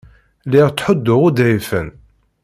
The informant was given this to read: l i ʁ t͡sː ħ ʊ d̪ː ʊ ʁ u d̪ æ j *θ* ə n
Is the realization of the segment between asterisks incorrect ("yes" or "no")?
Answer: yes